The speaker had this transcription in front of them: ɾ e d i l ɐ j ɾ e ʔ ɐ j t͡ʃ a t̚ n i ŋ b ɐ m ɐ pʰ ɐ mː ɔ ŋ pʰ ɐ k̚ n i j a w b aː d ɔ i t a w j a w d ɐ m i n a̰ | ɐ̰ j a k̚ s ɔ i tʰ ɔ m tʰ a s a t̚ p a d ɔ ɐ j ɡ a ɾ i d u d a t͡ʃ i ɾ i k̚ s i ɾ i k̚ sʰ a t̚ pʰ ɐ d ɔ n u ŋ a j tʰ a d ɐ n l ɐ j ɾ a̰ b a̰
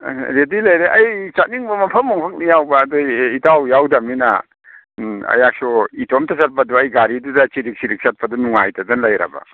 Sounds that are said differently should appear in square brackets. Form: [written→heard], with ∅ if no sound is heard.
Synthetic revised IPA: ɾ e d i l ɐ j ɾ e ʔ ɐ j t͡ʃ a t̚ n i ŋ b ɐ m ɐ pʰ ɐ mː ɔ ŋ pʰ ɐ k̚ n i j a w b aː d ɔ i t a w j a w d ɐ m i n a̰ | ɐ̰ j a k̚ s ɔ i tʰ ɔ m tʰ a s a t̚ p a d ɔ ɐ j ɡ a ɾ i d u d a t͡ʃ i ɾ i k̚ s i ɾ i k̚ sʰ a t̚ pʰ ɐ d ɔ n u ŋ a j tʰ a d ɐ n l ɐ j ɾ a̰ b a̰